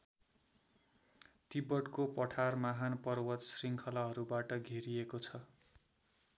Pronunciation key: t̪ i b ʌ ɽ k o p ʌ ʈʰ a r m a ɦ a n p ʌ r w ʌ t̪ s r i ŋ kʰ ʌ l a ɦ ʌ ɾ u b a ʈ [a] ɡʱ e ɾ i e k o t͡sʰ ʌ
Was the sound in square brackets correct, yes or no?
no